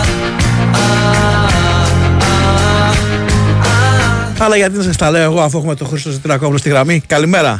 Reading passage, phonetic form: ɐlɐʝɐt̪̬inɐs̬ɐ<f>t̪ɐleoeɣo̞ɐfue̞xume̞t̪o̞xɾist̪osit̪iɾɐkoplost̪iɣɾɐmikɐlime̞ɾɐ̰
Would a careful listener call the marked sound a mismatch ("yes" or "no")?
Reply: yes